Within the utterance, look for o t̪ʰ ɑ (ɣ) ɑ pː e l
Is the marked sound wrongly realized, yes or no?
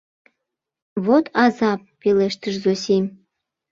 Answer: yes